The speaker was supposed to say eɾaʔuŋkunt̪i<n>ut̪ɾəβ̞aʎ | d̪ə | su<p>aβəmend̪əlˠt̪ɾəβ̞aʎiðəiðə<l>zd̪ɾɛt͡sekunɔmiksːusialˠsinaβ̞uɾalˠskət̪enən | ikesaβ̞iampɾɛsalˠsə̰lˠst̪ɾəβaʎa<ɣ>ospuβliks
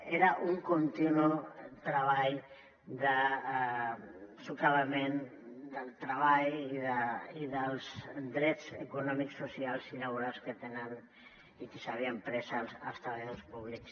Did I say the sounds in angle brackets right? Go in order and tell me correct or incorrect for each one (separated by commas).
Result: correct, incorrect, correct, incorrect